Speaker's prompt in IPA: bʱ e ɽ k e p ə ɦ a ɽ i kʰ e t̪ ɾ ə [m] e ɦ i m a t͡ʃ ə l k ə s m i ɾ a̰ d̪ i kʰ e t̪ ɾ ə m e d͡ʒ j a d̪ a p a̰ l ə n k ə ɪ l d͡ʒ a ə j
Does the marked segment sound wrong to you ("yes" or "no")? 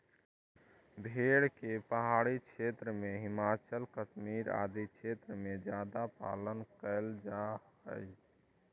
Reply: no